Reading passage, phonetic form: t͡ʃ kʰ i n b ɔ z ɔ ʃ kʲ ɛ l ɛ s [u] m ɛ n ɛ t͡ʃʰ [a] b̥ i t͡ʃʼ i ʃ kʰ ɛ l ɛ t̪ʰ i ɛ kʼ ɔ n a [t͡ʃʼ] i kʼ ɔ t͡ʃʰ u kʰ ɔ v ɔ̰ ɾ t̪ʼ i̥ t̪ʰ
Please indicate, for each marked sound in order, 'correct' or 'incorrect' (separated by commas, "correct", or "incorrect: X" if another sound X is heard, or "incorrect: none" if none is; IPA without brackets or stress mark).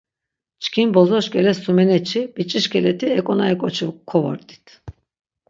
correct, incorrect: i, incorrect: none